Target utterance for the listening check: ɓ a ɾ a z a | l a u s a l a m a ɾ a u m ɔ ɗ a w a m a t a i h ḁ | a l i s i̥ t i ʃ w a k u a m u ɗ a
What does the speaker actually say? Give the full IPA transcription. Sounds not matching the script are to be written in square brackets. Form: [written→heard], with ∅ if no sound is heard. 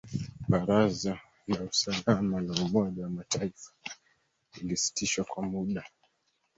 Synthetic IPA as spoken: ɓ a ɾ a z a | l a u s a l a m a [ɾ→l] a u m ɔ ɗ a w a m a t a i [h→f] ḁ | [a→i] l i s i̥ t i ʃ w a k [u→w] a m u ɗ a